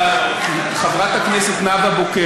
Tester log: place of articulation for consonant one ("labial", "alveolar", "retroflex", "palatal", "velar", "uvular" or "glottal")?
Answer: uvular